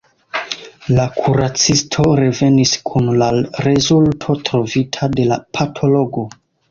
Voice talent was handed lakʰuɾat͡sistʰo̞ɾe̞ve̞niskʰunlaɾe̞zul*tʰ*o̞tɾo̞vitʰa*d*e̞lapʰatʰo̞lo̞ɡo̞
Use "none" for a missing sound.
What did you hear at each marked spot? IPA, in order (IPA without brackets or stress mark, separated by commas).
tʰ, d